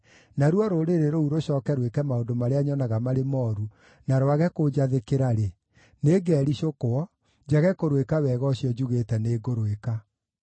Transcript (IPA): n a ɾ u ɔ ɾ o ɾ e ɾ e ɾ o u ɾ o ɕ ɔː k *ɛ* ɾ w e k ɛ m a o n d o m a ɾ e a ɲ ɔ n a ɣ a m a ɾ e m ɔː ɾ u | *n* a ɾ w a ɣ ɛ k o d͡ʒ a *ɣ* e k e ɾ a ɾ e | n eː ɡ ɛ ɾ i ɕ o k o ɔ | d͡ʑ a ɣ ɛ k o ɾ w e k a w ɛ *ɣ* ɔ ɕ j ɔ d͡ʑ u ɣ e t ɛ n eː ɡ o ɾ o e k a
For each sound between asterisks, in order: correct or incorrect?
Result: correct, correct, incorrect, correct

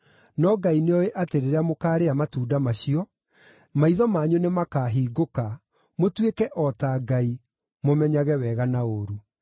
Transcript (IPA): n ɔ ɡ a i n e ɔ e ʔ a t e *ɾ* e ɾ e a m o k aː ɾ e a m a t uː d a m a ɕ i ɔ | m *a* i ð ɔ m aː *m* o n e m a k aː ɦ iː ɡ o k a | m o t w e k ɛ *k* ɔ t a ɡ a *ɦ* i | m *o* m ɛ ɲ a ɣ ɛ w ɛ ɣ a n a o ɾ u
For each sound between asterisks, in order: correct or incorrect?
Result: correct, correct, incorrect, incorrect, incorrect, correct

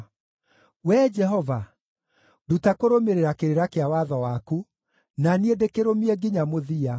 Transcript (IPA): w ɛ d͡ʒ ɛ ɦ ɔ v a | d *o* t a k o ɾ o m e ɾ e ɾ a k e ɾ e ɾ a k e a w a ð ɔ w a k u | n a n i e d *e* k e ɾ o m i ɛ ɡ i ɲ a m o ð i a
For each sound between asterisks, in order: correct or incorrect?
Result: incorrect, correct

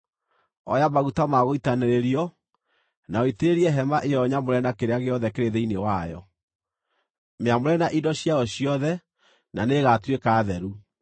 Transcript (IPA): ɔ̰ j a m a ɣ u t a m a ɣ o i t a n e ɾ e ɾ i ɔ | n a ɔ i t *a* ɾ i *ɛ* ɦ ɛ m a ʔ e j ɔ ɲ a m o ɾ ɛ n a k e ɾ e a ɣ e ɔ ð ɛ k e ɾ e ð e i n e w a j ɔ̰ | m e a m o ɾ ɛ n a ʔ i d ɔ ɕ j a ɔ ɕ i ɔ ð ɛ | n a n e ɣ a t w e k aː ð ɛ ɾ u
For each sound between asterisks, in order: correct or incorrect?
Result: incorrect, correct

